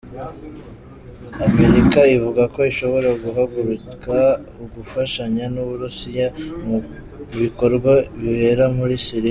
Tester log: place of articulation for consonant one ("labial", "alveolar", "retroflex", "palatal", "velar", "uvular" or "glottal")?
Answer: labial